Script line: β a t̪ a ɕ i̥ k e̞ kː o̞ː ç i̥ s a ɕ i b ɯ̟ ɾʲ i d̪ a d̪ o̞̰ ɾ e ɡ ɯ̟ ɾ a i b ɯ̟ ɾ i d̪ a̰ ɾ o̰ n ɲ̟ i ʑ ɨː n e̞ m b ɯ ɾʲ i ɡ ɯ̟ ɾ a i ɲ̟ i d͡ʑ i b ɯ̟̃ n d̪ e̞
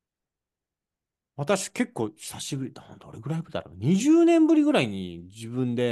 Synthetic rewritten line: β a t̪ a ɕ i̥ k e̞ kː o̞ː ç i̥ s a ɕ i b ɯ̟ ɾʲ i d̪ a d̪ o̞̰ ɾ e ɡ ɯ̟ ɾ a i b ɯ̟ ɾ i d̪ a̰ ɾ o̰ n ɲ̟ i ʑ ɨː n ẽ̞ m b ɯ ɾʲ i ɡ ɯ̟ ɾ a i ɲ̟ i d͡ʑ i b ɯ̟̃ n d̪ e̞